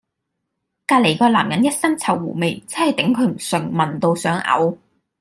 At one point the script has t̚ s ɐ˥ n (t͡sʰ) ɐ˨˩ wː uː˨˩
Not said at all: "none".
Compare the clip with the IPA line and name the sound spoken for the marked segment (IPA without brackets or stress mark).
t͡sʰ